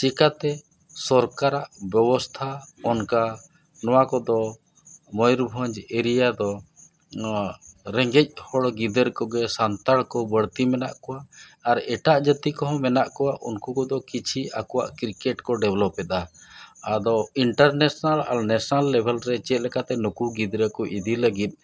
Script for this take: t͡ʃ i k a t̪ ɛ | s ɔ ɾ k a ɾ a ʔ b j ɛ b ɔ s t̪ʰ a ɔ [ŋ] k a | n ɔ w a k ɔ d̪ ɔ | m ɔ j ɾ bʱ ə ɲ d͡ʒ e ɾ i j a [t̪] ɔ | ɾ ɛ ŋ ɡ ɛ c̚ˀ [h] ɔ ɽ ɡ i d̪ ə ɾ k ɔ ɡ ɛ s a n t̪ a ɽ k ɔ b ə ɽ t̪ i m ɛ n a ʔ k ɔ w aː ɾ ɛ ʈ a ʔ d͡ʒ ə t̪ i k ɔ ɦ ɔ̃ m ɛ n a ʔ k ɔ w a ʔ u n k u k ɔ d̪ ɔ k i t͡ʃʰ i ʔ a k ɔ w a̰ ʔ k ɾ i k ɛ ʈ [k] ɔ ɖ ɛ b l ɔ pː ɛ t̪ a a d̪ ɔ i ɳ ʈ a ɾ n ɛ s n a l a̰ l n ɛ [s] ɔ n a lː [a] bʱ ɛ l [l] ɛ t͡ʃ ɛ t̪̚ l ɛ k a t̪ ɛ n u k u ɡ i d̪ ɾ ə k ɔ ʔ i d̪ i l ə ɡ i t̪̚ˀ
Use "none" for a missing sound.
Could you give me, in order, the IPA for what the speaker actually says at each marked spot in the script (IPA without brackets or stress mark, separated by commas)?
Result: n, d̪, h, k, s, ɛ, ɾ